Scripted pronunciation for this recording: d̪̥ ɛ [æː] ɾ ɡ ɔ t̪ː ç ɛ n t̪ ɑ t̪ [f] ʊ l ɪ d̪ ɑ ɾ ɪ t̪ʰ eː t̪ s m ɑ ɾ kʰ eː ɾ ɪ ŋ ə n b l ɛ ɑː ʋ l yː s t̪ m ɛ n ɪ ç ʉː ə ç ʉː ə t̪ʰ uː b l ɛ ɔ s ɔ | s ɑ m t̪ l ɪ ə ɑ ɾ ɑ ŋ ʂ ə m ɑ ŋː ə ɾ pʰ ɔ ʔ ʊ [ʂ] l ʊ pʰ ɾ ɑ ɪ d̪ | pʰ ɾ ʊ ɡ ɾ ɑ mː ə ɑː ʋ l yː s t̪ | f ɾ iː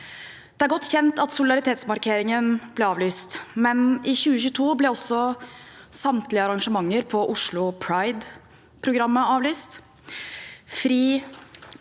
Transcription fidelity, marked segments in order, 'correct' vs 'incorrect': incorrect: æ, incorrect: s, correct

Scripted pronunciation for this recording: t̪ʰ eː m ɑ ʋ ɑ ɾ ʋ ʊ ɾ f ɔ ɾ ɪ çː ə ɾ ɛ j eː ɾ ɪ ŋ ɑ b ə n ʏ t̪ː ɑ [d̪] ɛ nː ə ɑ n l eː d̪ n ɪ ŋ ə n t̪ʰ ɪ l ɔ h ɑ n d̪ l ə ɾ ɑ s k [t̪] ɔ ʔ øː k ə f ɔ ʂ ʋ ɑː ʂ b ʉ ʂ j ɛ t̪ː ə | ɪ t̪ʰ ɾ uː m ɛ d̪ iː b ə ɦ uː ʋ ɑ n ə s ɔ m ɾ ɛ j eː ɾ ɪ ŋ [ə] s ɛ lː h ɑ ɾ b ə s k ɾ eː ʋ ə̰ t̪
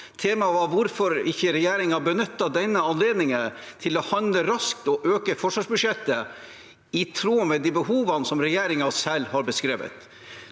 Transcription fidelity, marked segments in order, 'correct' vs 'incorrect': correct, correct, incorrect: ɑ

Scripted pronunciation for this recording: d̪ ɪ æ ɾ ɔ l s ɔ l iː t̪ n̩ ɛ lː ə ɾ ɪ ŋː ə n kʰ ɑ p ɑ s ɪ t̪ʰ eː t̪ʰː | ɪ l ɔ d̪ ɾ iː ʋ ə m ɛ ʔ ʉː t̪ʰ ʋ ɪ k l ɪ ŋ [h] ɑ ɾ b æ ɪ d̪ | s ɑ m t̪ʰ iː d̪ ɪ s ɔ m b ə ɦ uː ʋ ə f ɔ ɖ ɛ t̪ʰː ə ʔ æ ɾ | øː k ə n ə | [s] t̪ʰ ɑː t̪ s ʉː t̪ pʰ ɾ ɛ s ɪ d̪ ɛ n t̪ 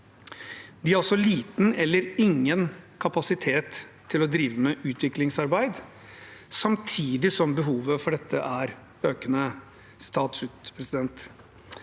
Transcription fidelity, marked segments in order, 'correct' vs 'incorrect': incorrect: s, correct

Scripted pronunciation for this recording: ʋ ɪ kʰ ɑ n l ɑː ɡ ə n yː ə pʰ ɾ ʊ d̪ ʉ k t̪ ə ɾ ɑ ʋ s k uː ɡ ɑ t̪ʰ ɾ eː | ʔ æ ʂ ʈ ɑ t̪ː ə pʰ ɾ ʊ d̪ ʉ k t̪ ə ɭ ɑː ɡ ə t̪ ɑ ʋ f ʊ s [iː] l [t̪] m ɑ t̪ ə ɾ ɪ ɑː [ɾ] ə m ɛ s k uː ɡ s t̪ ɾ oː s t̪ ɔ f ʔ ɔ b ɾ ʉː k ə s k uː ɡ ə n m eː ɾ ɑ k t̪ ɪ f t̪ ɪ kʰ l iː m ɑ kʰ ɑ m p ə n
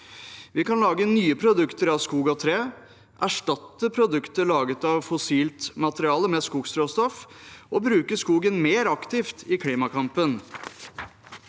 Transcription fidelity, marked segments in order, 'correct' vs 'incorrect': correct, correct, incorrect: l

